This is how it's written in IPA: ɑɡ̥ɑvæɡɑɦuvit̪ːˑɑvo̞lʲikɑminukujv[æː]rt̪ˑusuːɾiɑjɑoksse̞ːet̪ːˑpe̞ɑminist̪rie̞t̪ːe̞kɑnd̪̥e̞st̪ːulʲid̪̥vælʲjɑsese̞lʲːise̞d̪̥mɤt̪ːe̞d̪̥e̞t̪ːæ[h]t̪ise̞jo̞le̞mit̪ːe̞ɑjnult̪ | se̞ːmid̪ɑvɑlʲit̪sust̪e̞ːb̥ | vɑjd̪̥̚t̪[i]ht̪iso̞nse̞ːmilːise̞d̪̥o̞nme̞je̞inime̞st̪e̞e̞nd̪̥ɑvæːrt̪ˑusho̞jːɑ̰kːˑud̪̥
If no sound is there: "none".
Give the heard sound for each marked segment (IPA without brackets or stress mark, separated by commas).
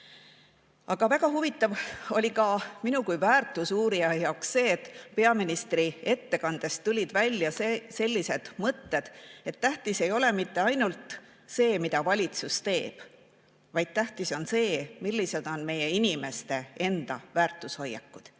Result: æː, h, æ